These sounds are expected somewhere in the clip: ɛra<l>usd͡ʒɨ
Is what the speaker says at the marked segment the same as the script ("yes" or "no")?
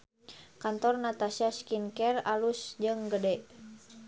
yes